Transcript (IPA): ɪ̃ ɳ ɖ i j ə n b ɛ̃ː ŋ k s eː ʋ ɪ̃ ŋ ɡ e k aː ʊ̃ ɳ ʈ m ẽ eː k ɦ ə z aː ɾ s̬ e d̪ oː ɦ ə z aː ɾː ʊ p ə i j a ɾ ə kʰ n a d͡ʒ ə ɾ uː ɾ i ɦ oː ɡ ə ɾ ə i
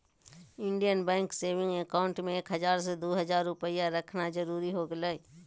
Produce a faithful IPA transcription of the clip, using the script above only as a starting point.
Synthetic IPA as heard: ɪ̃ ɳ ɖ i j ə n b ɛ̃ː ŋ k s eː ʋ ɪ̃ ŋ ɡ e k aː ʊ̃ ɳ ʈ m ẽ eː k ɦ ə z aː ɾ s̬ e d̪ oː ɦ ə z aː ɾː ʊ p ə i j a ɾ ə kʰ n a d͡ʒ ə ɾ uː ɾ i ɦ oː ɡ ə l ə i

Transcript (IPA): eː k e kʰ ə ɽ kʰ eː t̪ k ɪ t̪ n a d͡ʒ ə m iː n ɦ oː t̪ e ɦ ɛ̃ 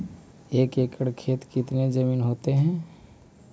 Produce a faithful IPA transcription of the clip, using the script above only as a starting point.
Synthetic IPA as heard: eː k e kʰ ə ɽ kʰ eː t̪ k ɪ t̪ n e d͡ʒ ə m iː n ɦ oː t̪ e ɦ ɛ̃

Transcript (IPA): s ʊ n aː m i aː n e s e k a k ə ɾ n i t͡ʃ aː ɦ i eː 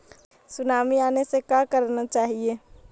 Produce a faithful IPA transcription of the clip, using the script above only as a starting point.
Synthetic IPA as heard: s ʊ n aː m i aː n e s e k a k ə ɾ n a t͡ʃ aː ɦ i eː

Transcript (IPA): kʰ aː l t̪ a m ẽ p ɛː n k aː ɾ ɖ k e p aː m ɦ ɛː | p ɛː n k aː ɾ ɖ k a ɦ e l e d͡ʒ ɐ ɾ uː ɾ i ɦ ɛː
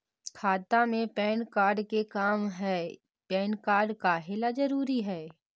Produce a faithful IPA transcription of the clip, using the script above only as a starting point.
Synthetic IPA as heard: kʰ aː t̪ a m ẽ p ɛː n k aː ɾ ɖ k e k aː m ɦ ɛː | p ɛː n k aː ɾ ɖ k a ɦ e l a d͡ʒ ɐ ɾ uː ɾ i ɦ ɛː

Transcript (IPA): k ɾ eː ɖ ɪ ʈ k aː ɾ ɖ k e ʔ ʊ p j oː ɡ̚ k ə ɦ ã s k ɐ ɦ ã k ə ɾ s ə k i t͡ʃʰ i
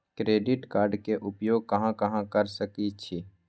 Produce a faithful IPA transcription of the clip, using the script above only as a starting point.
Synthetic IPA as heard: k ɾ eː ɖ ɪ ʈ k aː ɾ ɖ k e ʔ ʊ p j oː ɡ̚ k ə ɦ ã k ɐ ɦ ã k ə ɾ s ə k i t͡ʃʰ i

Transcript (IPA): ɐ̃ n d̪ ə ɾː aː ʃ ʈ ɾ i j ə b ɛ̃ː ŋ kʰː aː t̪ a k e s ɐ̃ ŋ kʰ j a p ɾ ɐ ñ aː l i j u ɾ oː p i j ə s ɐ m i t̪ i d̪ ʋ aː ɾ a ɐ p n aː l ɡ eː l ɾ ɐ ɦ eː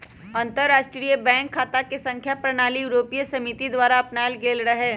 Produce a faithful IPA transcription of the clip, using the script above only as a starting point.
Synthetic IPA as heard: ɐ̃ n t̪ ə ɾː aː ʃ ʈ ɾ i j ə b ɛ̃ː ŋ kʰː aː t̪ a k e s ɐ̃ ŋ kʰ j a p ɾ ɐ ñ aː l i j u ɾ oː p i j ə s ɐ m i t̪ i d̪ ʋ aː ɾ a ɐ p n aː l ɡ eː l ɾ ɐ ɦ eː

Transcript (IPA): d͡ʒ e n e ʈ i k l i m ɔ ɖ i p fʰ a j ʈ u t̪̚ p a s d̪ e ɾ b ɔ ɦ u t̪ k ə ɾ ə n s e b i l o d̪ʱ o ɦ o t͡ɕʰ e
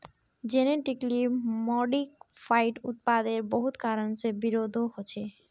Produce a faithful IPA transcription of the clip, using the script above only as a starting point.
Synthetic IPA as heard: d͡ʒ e n e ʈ i k l i m ɔ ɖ i k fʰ a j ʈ u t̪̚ p a d̪ e ɾ b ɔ ɦ u t̪ k a ɾ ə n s e b i ɾ o d̪ʱ o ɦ o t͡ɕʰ e

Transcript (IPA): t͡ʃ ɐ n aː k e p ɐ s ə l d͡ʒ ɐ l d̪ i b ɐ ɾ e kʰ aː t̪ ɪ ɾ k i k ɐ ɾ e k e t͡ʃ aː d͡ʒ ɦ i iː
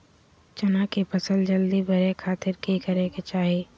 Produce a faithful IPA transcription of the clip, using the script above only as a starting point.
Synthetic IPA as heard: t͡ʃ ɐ n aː k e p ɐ s ə l d͡ʒ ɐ l d̪ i b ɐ ɾ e kʰ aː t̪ ɪ ɾ k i k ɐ ɾ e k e t͡ʃ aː ɦ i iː

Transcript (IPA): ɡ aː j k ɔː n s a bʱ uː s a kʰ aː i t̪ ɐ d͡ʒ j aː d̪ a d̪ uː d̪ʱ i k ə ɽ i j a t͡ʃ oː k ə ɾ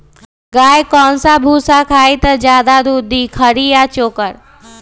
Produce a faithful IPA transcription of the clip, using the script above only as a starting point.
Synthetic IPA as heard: ɡ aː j k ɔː n s a bʱ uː s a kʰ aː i t̪ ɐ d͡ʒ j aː d̪ a d̪ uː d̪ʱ i kʰ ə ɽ i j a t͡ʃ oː k ə ɾ

